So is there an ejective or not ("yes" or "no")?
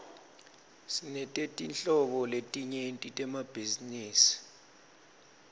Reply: yes